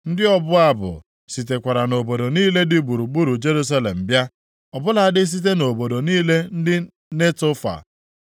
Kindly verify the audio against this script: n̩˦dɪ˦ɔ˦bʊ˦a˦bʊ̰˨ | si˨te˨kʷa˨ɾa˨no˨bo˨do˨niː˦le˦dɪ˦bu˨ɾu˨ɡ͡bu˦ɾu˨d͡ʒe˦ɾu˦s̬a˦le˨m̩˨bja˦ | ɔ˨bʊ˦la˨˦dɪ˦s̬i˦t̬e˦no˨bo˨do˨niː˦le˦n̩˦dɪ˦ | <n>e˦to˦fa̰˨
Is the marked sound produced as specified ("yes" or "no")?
yes